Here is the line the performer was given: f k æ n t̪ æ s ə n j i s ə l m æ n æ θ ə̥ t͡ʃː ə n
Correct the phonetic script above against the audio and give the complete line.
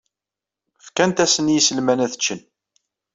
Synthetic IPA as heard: f k æ n t̪ æ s ə n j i s ə l m æ n æ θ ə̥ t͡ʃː ə n